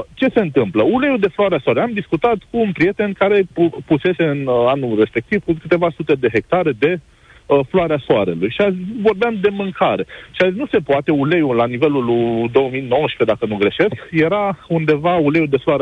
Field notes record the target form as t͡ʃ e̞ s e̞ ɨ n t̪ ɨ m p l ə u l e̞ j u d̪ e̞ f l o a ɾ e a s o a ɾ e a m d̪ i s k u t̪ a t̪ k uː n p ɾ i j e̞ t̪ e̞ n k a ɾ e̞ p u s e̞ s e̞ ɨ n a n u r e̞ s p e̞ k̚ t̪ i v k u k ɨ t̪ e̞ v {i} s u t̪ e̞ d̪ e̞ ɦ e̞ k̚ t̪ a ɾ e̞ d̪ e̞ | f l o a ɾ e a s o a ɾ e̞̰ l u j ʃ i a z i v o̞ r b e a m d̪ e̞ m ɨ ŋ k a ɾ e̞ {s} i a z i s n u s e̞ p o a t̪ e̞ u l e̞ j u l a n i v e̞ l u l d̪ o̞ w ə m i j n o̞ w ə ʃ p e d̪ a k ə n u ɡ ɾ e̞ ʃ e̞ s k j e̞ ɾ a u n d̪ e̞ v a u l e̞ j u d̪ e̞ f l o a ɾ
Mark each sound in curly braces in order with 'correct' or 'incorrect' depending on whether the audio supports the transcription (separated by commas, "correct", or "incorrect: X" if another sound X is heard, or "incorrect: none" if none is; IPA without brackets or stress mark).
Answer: incorrect: a, incorrect: ʃ